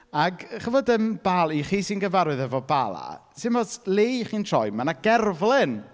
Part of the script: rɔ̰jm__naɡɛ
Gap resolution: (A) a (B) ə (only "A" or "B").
A